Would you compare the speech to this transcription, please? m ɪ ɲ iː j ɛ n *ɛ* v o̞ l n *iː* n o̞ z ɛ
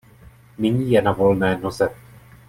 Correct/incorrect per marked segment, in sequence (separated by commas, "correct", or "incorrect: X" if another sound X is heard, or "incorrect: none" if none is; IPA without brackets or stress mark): incorrect: a, incorrect: ɛː